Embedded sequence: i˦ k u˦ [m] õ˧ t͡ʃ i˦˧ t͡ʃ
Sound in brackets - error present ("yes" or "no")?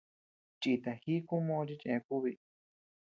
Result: no